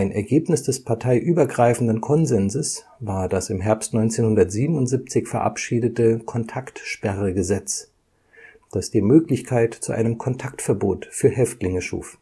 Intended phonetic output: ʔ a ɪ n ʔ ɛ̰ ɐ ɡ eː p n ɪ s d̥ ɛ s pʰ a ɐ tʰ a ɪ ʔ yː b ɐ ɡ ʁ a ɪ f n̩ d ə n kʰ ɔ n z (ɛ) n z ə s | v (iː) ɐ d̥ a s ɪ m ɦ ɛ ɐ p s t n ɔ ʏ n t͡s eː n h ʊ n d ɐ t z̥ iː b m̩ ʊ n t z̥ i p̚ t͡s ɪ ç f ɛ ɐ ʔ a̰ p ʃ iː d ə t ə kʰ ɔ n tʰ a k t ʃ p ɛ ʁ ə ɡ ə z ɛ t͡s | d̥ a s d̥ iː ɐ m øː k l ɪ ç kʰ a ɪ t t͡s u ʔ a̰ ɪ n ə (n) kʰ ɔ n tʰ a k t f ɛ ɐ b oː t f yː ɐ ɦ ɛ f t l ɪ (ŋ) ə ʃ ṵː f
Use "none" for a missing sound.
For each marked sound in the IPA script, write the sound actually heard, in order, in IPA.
ɛ, aː, m, ŋ

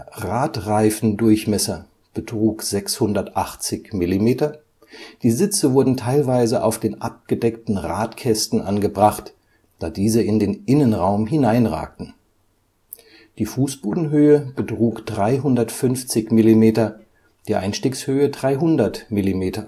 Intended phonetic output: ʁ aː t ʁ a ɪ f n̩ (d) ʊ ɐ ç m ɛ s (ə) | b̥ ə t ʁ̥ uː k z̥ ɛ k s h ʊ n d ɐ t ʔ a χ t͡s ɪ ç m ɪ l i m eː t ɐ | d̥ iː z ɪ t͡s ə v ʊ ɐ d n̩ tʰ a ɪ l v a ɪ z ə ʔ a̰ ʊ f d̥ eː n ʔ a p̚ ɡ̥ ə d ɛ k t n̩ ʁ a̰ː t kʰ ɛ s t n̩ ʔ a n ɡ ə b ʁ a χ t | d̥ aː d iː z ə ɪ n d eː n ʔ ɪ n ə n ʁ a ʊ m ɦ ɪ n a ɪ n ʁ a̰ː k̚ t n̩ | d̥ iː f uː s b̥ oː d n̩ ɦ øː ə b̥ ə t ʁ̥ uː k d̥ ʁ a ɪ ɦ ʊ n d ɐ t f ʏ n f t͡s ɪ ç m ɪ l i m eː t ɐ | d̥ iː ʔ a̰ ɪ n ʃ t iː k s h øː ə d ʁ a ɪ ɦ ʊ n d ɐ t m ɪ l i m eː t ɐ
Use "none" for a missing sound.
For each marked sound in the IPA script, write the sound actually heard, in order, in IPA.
d, ɐ

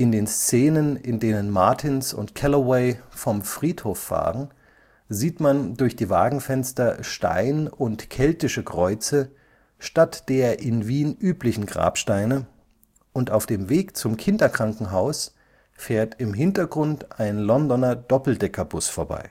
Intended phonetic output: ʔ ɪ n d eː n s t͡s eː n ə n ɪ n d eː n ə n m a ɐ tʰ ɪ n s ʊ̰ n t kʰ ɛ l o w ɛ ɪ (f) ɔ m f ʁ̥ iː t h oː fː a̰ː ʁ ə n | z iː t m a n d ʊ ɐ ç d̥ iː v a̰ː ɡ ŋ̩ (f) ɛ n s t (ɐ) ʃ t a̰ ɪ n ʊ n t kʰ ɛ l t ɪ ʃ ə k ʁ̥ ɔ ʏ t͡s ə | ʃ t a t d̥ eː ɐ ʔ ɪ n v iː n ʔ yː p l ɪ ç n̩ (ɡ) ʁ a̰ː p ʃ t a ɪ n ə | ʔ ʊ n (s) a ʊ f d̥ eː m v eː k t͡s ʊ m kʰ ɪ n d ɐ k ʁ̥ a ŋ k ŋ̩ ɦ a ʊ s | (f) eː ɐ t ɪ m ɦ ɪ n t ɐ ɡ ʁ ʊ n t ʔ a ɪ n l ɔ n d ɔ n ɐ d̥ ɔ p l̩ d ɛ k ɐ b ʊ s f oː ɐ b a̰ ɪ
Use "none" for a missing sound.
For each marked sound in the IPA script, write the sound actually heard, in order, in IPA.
f, f, ɐ, ɡ, t, f

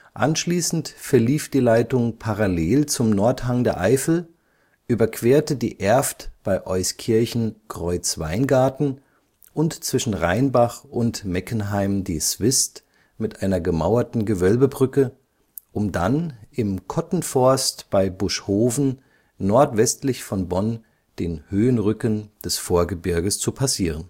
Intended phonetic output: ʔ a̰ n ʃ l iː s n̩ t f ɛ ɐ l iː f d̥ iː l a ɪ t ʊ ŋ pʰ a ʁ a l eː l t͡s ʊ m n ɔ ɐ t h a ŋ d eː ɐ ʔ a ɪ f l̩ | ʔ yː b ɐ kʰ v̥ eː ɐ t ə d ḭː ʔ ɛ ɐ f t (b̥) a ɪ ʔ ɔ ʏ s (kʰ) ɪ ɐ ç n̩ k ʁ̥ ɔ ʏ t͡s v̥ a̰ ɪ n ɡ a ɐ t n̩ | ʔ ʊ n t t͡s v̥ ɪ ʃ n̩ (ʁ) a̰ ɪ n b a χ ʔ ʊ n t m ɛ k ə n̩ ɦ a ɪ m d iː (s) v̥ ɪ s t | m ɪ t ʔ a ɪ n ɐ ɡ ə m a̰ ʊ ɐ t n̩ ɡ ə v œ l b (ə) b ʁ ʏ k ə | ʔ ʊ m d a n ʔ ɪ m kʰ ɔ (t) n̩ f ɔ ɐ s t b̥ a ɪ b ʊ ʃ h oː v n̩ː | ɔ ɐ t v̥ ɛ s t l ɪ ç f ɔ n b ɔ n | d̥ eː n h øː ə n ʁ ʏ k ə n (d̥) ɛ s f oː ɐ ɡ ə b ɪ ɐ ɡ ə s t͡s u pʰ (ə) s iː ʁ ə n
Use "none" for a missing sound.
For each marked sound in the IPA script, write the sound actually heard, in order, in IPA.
b̥, kʰ, ʁ, s, ə, t, d̥, a

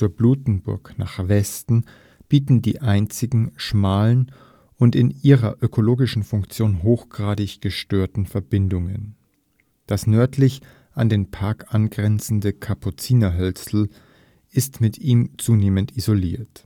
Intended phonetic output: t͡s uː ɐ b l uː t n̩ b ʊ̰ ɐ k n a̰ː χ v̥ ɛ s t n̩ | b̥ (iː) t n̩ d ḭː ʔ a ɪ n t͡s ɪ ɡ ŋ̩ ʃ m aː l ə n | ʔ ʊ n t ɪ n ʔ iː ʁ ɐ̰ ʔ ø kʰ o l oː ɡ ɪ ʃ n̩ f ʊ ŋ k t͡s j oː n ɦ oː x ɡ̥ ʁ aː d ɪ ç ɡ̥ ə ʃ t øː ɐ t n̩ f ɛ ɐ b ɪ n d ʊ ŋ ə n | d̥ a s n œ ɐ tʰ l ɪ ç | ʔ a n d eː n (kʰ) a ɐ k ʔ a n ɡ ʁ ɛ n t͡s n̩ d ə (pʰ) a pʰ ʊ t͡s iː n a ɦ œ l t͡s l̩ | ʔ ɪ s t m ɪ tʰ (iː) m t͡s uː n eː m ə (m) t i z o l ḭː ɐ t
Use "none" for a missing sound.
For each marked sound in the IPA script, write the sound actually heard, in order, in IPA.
iː, pʰ, kʰ, iː, n

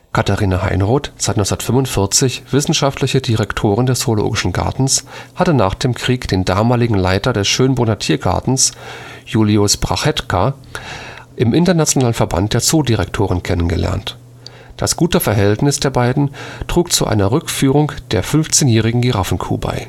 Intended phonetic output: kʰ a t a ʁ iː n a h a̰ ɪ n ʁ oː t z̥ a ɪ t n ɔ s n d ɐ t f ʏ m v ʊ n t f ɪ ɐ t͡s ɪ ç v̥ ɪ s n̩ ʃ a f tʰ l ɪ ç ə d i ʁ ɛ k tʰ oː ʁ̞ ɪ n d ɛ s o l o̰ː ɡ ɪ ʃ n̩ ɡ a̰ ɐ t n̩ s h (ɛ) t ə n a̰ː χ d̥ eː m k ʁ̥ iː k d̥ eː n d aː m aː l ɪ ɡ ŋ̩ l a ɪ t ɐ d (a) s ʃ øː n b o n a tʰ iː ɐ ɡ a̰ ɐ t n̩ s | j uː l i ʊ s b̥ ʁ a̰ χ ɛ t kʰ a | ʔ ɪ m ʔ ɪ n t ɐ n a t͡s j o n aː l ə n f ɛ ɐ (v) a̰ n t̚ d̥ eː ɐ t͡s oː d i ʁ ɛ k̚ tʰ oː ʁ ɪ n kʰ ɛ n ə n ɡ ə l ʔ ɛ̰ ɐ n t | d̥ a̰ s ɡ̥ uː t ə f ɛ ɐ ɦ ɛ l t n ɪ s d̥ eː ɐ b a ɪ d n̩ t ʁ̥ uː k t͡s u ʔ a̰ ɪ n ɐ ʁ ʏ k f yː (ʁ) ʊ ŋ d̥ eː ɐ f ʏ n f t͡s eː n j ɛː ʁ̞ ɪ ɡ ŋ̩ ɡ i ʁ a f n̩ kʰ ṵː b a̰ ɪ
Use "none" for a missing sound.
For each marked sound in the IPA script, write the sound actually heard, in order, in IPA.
a, ɛ, b, ʁ

